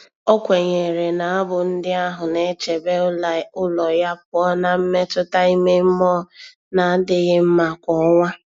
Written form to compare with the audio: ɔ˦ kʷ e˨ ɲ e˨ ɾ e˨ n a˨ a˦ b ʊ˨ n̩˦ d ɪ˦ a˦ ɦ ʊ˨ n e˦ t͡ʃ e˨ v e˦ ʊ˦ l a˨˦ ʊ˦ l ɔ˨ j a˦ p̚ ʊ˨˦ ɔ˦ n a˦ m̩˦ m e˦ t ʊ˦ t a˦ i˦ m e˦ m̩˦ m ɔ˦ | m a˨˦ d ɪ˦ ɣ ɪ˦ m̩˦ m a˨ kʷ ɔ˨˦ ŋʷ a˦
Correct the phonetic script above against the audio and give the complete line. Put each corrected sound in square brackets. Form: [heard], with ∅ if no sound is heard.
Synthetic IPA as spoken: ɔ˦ kʷ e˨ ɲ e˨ ɾ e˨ n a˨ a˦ b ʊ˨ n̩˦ d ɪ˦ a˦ ɦ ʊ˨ n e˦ t͡ʃ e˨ [b] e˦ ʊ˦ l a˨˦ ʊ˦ l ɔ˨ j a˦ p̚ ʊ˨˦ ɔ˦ n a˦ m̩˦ m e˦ t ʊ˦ t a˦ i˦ m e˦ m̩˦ m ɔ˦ | [n] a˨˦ d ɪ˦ ɣ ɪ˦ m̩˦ m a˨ kʷ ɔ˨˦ ŋʷ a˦